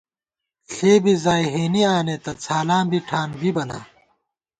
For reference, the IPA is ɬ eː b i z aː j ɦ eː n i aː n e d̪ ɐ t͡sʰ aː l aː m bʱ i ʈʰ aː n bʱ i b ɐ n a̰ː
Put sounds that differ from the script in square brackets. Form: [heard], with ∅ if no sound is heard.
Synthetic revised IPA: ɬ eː b i z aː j ɦ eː n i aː n e [t̪] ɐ t͡sʰ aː l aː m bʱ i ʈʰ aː n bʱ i b ɐ n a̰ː